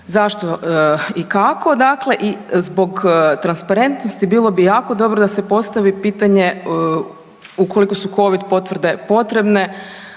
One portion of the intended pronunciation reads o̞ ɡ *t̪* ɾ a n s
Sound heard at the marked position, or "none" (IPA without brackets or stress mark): t̪